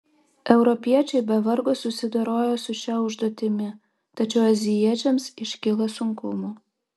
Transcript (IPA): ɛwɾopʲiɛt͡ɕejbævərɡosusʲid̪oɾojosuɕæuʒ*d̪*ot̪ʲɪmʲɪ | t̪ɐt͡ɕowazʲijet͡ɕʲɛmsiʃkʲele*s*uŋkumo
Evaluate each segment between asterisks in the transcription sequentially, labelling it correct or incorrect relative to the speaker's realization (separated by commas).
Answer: correct, correct